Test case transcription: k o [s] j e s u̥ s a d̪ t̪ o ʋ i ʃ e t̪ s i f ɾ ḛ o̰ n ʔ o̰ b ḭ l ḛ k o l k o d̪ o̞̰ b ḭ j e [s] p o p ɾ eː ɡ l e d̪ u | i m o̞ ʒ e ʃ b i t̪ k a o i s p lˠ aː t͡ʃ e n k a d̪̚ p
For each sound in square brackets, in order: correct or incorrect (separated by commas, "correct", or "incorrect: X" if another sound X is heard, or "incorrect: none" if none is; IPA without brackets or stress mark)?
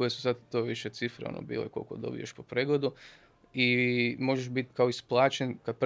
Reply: incorrect: none, incorrect: ʃ